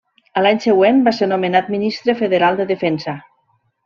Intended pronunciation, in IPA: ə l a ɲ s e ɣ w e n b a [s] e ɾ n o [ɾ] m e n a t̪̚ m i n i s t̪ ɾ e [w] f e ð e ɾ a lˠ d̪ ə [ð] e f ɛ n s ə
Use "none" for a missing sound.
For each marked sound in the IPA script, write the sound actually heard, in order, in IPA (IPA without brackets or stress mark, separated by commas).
s, none, none, ð